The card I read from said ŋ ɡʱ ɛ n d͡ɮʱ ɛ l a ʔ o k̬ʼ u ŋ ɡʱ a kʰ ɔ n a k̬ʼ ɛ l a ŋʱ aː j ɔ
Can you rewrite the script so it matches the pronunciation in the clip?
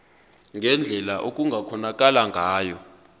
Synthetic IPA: ŋ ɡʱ ɛ n d͡ɮʱ ɛ l a ʔ o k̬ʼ u ŋ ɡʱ a kʰ ɔ n a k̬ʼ a l a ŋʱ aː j ɔ

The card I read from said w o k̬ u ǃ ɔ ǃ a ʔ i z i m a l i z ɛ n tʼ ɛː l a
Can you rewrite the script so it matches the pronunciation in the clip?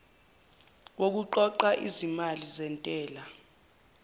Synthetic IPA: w o k̬ u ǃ ɔ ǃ a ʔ i z i m a l i z ɛ n tʼ ɛː l a

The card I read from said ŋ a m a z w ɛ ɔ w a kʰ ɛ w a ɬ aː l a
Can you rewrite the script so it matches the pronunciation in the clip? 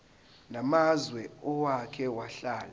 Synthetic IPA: n a m a z w ɛ ɔ w a kʰ ɛ w a ɬ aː l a

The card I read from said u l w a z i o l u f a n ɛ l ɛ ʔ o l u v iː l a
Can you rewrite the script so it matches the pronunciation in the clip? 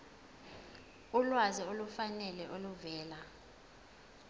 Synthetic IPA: u l w a z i o l u f a n ɛ l ɛ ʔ o l u v ɛː l a

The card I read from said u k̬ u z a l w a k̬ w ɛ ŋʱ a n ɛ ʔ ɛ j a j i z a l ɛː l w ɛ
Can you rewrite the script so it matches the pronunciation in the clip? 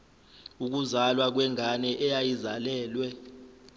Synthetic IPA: u k̬ u z a l w a k̬ w ɛ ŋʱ a n ɛ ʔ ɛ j a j i z a l ɛː l w ɛ

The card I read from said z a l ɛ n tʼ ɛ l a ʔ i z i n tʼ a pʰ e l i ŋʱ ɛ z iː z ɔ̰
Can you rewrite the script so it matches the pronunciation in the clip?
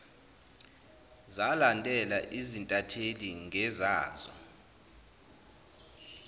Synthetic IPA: z a l a n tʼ ɛ l a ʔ i z i n tʼ a tʰ e l i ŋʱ ɛ z aː z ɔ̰

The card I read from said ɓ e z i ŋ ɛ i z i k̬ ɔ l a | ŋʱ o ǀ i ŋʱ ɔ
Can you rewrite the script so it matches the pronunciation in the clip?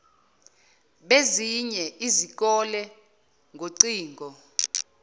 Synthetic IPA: ɓ e z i ɲ ɛ i z i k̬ ɔ l ɛ | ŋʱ o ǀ iː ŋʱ ɔ

